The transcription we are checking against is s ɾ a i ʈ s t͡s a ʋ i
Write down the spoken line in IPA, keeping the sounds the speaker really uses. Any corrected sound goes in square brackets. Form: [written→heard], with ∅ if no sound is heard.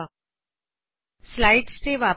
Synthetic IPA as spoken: s [ɾ→l] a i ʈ s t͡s [a→e] ʋ [i→a]